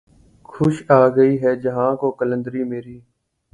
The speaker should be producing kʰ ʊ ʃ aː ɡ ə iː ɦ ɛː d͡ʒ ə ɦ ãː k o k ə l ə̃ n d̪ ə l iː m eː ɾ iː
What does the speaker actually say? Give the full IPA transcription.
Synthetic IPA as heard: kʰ ʊ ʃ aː ɡ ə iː ɦ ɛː d͡ʒ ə ɦ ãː k o k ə l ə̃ n d̪ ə ɾ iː m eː ɾ iː